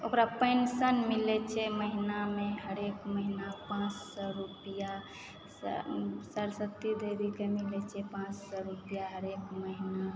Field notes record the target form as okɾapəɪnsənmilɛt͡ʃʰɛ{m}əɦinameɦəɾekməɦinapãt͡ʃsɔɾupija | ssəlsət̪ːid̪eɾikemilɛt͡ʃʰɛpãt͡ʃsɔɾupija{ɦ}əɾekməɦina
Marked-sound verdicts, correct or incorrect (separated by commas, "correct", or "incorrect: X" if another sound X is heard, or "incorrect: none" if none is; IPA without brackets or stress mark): correct, correct